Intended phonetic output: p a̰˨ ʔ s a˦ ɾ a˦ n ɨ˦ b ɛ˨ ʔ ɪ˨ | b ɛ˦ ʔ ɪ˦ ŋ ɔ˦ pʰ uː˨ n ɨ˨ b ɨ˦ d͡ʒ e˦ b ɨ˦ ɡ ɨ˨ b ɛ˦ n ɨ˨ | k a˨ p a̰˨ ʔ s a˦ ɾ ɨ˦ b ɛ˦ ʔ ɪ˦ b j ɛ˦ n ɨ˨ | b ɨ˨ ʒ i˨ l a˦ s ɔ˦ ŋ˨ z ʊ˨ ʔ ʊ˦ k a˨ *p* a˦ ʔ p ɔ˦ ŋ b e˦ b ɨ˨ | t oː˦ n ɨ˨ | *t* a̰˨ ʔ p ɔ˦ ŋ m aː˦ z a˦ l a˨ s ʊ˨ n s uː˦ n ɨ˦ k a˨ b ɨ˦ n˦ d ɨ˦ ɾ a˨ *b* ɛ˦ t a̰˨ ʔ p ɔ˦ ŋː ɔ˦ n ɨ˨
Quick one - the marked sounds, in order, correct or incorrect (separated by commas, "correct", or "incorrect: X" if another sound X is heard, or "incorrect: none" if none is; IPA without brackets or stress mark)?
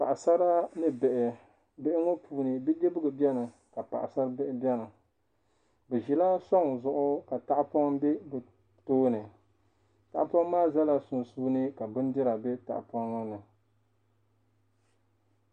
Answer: incorrect: t, correct, correct